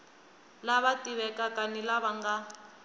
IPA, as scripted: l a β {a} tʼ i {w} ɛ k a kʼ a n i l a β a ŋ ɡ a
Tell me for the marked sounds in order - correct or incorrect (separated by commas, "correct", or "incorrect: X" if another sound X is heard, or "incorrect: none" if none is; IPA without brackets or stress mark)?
correct, incorrect: β